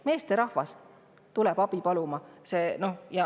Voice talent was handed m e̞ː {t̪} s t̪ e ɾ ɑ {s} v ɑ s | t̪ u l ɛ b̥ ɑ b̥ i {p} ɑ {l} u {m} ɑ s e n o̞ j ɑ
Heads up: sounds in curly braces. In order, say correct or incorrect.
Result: incorrect: none, incorrect: h, correct, correct, correct

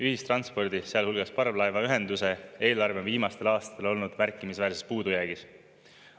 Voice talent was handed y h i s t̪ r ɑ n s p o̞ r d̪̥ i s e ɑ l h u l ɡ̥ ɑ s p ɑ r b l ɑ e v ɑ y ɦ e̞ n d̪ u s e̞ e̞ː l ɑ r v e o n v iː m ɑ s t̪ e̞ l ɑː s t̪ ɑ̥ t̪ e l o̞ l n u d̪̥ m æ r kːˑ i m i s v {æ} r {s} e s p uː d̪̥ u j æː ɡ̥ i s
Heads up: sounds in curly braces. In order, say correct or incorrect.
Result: incorrect: æː, correct

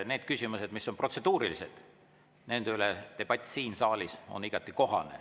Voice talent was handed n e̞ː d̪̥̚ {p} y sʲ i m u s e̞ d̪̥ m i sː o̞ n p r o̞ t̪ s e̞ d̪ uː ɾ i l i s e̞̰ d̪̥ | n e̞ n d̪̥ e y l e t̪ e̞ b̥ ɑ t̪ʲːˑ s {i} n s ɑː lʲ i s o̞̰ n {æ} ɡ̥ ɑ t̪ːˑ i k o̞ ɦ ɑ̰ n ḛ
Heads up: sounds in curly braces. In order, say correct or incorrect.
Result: incorrect: k, incorrect: iː, incorrect: i

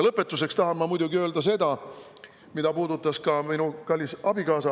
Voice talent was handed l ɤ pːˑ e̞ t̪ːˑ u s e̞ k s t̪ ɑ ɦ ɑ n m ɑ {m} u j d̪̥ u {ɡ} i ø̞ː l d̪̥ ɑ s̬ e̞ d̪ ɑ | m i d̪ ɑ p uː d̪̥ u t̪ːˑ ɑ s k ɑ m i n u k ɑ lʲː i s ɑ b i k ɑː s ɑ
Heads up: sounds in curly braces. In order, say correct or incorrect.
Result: correct, correct

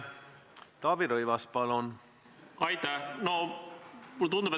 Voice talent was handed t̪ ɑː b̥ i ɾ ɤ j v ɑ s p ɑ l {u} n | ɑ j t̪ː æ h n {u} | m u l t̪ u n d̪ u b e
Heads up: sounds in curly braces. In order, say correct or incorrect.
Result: incorrect: o, incorrect: o

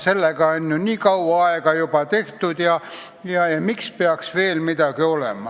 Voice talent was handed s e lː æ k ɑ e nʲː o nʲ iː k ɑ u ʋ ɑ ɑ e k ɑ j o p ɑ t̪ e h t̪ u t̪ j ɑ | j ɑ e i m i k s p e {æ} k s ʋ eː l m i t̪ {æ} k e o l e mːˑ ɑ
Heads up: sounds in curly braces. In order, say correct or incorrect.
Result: correct, correct

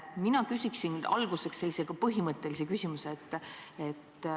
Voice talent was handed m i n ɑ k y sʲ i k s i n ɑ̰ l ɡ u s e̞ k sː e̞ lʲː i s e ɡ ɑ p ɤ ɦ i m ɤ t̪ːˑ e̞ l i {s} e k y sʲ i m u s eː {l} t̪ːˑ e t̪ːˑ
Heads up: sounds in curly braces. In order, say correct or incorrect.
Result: correct, incorrect: none

